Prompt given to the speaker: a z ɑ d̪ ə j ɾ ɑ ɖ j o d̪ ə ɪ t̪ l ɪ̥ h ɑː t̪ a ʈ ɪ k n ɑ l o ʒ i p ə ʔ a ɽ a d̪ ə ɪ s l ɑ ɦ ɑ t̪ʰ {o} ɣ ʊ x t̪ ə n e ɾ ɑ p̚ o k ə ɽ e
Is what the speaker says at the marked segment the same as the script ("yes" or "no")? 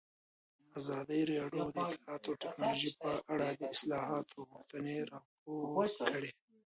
yes